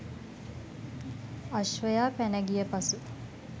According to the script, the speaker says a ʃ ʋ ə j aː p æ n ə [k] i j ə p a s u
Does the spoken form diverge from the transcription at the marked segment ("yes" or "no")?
yes